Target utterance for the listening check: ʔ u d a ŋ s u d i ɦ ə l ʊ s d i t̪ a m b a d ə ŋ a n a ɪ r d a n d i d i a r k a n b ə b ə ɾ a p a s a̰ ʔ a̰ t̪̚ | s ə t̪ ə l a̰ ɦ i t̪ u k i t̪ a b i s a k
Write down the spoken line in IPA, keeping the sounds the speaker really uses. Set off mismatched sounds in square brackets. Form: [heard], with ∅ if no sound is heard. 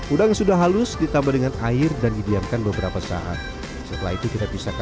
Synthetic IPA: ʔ u d a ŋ s u d [a] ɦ [a] l ʊ s d i t̪ a m b a d ə ŋ a n a ɪ r d a n d i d i a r k a n b ə b ə ɾ a p a s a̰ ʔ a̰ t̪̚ | s ə t̪ ə l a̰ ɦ i t̪ u k i t̪ a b i s a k